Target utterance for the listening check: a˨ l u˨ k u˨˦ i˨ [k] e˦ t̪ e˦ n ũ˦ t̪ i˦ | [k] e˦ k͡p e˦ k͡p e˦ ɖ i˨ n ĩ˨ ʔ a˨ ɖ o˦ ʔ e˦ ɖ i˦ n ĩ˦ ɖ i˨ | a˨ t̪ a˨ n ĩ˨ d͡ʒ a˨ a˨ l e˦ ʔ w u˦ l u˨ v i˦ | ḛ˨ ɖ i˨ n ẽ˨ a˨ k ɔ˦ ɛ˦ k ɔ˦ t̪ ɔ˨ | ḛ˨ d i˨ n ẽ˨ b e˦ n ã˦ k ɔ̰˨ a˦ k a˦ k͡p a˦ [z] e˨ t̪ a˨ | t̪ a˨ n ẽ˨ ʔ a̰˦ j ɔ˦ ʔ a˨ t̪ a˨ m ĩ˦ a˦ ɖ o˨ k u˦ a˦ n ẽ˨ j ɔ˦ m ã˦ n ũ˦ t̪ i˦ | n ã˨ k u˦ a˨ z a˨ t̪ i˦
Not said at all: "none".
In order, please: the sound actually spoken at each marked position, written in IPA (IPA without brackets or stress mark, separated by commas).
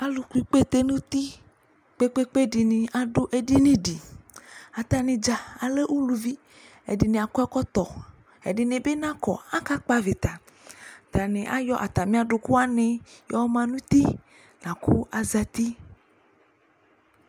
k͡p, k͡p, v